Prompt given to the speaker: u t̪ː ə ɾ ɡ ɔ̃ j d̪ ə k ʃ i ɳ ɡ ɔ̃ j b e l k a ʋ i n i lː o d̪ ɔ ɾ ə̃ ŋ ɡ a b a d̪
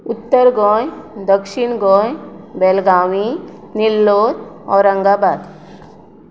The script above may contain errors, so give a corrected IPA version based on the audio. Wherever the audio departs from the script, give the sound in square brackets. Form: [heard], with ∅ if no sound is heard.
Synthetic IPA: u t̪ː ə ɾ ɡ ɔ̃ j d̪ ə k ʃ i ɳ ɡ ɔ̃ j b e l [ɡ] a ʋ i n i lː o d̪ ɔ ɾ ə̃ ŋ ɡ a b a d̪

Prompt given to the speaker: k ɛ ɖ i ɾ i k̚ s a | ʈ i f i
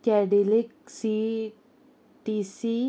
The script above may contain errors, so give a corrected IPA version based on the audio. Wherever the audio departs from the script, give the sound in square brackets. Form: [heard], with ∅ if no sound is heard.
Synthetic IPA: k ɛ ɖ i [l] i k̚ s [i] | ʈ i [s] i

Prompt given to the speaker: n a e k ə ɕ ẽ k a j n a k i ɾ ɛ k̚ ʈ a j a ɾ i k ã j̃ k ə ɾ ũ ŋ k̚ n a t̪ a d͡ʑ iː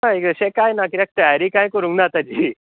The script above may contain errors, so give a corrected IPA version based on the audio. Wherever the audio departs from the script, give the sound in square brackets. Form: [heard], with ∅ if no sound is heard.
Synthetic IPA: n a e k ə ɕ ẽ k a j n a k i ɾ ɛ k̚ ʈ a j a ɾ i k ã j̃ k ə ɾ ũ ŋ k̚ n a t̪ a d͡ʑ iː

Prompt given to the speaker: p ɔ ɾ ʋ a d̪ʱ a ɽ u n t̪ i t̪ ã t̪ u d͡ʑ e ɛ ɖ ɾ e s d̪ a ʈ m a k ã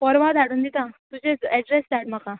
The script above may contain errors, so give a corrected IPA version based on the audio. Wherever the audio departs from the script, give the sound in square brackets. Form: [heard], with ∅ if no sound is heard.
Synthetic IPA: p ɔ ɾ ʋ a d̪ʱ a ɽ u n [d̪] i t̪ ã t̪ u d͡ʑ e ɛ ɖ ɾ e s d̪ a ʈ m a k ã

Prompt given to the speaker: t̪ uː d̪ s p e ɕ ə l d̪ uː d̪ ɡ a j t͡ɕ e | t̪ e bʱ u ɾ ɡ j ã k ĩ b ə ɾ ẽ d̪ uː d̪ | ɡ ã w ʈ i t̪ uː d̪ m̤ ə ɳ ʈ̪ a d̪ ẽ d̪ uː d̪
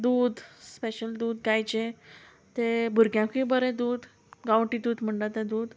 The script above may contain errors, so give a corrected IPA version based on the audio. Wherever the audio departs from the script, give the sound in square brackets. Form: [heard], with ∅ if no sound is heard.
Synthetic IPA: [d̪] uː d̪ s p e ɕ ə l d̪ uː d̪ ɡ a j t͡ɕ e | t̪ e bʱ u ɾ ɡ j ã k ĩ b ə ɾ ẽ d̪ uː d̪ | ɡ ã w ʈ i [d̪] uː d̪ m̤ ə ɳ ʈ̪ a [t̪] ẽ d̪ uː d̪

